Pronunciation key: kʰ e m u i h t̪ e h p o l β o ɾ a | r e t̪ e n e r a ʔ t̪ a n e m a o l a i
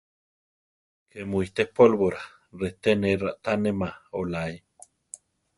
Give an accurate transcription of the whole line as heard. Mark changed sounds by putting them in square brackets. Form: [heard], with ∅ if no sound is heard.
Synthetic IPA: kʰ e m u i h t̪ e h p o l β o ɾ a | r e t̪ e n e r a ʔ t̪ a n e m a o l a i